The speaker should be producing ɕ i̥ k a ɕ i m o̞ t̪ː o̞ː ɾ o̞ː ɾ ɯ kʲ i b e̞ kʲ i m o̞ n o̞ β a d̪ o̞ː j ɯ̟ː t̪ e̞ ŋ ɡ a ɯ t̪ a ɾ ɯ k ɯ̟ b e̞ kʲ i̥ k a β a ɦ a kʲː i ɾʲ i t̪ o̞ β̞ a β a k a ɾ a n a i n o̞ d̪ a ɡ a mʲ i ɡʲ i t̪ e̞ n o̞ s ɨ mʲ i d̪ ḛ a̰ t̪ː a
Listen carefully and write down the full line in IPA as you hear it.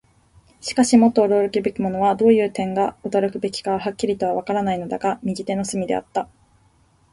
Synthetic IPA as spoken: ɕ i̥ k a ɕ i m o̞ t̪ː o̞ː ɾ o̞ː ɾ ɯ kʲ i b e̞ kʲ i m o̞ n o̞ β a d̪ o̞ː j ɯ̟ː t̪ ẽ̞ ŋ ɡ a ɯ t̪ a ɾ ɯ k ɯ̟ b e̞ kʲ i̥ k a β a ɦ a kʲː i ɾʲ i t̪ o̞ β̞ a β a k a ɾ a n a i n o̞ d̪ a ɡ a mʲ i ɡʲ i t̪ e̞ n o̞ s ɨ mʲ i d̪ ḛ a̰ t̪ː a

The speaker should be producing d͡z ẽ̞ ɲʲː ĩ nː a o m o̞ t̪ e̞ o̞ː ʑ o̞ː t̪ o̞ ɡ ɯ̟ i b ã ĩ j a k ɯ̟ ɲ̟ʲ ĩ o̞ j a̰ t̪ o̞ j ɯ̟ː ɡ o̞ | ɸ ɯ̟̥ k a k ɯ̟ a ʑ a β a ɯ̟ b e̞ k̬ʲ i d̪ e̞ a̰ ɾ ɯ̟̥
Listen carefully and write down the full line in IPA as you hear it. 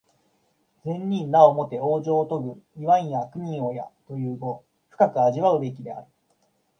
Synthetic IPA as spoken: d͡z ẽ̞ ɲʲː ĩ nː a o m o̞ t̪ e̞ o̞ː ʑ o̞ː t̪ o̞ ɡ ɯ̟ i β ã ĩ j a k ɯ̟ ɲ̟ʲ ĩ o̞ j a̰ t̪ o̞ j ɯ̟ː ɡ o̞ | ɸ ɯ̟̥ k a k ɯ̟ a ʑ i β a ɯ̟ b e̞ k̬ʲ i d̪ e̞ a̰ ɾ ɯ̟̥

